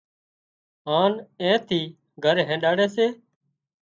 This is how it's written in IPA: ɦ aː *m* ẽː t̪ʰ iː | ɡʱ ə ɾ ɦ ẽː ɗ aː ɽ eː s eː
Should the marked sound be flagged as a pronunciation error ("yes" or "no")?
yes